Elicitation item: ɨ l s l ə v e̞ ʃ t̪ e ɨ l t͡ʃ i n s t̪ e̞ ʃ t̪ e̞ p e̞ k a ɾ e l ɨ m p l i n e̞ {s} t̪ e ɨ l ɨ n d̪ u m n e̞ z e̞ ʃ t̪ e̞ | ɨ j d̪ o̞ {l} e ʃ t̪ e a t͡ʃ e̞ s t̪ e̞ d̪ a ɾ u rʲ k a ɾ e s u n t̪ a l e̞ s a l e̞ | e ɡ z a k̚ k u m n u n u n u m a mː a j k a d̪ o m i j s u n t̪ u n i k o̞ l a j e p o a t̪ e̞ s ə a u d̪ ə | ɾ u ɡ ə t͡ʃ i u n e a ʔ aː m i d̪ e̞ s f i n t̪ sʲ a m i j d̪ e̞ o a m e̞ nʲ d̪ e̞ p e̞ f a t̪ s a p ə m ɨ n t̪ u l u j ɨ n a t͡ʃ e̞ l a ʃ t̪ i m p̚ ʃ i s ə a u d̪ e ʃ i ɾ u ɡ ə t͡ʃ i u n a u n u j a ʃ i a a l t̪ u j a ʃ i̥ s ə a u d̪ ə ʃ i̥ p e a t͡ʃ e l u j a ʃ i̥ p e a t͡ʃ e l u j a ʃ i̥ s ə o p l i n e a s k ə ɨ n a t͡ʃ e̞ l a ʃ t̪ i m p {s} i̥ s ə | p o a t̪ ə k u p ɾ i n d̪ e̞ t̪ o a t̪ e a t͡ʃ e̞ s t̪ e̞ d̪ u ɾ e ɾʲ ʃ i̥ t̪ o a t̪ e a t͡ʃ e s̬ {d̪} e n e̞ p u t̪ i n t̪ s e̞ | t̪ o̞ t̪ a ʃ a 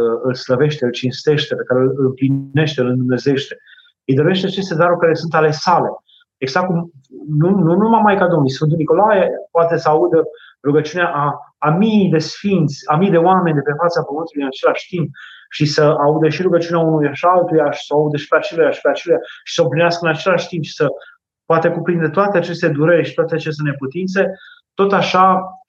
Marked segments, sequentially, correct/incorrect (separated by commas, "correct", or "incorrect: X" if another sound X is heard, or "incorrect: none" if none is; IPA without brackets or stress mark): incorrect: ʃ, incorrect: ɾ, incorrect: ʃ, incorrect: t̪